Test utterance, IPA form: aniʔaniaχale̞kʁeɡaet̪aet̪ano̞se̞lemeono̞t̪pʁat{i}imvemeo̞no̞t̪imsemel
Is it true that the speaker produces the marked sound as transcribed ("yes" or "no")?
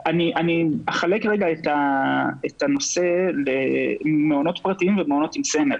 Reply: yes